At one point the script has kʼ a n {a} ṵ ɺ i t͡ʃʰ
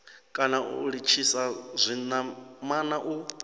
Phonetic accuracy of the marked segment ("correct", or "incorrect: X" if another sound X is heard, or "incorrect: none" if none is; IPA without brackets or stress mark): correct